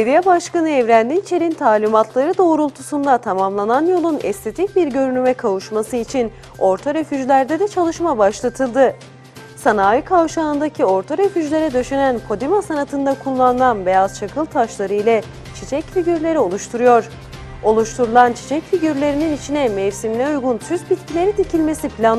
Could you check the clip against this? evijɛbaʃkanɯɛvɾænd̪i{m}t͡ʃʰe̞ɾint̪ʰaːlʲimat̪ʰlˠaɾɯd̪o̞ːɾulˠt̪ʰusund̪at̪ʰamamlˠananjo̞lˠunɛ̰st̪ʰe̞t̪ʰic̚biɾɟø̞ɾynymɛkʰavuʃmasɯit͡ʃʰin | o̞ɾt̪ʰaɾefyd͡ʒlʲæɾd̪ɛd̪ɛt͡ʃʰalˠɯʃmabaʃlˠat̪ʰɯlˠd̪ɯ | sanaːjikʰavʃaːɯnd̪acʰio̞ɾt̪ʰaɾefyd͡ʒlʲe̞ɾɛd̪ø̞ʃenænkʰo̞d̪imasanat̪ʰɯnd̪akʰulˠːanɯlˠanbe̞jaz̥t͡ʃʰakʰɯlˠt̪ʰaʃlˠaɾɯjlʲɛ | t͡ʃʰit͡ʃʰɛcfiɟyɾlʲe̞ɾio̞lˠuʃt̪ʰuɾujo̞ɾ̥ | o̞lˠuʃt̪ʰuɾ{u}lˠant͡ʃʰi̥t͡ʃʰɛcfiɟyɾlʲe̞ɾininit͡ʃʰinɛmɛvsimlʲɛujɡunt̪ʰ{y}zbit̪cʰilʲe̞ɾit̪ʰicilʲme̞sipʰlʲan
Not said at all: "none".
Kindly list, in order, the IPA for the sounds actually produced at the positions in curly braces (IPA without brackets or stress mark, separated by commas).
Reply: n, u, y